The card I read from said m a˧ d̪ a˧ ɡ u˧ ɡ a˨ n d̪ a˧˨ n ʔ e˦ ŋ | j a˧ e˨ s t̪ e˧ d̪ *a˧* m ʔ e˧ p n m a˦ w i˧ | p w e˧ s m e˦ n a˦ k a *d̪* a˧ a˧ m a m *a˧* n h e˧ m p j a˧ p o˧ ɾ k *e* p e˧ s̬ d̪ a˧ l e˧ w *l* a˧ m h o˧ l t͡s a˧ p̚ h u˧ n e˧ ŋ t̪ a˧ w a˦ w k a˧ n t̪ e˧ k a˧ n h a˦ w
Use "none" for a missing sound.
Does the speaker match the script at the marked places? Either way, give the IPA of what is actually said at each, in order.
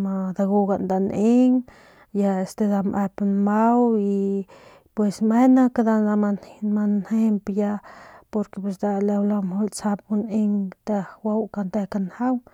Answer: a˧, d̪, a˧, e, l

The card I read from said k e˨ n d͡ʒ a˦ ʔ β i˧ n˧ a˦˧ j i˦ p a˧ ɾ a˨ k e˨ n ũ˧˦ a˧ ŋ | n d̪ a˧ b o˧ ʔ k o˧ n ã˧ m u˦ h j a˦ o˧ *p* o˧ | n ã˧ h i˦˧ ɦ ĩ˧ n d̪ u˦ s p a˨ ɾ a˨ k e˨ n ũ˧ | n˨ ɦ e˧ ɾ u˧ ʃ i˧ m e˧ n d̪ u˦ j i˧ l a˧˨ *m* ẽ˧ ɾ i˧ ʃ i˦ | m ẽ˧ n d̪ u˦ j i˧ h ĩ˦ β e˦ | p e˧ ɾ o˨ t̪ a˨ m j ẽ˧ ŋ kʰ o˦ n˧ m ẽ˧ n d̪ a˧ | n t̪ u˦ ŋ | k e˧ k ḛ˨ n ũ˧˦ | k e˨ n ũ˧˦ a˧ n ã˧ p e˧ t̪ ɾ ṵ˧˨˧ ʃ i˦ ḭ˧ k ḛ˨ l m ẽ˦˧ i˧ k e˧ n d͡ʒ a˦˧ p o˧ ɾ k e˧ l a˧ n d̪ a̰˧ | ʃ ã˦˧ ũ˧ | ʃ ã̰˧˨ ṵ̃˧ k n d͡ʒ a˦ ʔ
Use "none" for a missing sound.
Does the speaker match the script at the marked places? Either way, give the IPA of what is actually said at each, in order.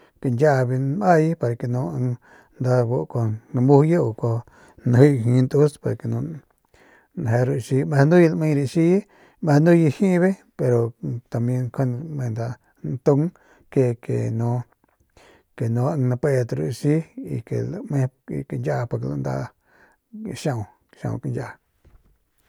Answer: k, m

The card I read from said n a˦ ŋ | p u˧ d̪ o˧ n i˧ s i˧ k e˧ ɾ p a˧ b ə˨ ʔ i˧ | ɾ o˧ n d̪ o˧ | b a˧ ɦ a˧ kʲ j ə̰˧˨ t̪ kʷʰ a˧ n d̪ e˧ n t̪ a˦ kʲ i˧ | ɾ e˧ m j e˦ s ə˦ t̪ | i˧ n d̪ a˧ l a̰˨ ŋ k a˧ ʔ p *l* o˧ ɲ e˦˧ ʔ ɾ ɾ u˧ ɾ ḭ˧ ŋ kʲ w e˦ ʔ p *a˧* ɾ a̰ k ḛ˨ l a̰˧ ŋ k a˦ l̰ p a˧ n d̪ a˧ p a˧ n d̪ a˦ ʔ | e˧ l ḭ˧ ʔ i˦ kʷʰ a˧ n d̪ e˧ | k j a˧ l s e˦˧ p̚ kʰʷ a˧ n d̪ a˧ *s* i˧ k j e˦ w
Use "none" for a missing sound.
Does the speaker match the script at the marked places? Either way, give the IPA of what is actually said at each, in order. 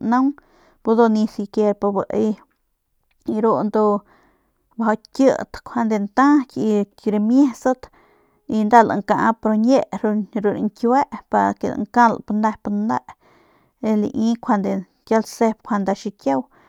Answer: ɾ, a˧, ʃ

